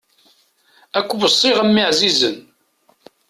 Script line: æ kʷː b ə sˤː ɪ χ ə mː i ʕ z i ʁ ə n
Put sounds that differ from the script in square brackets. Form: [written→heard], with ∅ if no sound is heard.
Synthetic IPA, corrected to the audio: æ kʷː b ə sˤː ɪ [χ→ʁ] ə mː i ʕ z i [ʁ→z] ə n

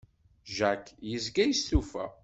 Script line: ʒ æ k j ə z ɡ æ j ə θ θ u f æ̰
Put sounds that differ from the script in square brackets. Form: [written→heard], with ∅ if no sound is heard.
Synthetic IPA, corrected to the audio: ʒ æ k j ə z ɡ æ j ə [θ→s] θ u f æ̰

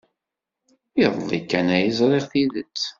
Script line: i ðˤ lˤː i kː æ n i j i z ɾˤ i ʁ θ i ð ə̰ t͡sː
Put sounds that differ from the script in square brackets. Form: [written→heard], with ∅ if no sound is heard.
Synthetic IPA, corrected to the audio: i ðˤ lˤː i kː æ n [i→æ] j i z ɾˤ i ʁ θ i ð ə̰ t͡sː

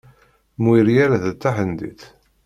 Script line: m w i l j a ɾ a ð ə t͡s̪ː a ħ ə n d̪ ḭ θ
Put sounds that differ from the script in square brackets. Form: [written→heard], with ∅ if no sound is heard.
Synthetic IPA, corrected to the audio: m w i [l→ɾ] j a ɾ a ð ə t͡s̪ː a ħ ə n d̪ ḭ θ

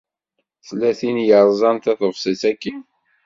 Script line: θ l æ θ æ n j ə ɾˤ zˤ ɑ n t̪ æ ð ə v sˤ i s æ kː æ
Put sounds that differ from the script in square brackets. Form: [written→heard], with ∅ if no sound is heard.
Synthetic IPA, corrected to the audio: θ l æ θ [æ→i] n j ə ɾˤ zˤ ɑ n t̪ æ [ð→θ] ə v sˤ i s æ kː [æ→i]

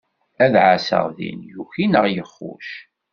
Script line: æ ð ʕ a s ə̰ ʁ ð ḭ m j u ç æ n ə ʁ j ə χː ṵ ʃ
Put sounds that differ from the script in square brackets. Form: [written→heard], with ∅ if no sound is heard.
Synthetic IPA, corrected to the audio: æ ð ʕ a s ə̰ ʁ ð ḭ [m→n] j u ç [æ→i] n ə ʁ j ə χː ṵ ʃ

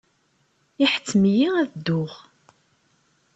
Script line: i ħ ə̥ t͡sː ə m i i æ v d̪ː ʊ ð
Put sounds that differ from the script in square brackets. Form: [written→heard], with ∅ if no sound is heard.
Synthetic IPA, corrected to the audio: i ħ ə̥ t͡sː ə m [i→j] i æ [v→ð] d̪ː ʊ [ð→ʁ]

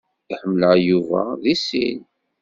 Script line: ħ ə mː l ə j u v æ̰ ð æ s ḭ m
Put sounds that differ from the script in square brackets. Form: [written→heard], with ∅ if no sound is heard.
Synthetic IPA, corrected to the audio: ħ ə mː l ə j u v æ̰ ð [æ→i] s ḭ [m→n]

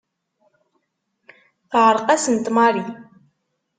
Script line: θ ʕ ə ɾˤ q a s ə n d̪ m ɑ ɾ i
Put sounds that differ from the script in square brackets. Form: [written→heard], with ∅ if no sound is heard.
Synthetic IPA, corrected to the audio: θ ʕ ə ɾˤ q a s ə n [d̪→t̪] m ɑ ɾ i

